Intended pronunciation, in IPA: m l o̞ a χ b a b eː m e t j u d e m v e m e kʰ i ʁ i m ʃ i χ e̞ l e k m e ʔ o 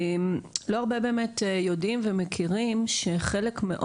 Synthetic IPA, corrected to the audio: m l o̞ a ʁ b e b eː m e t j o d i m v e m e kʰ i ʁ i m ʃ e χ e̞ l e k m e ʔ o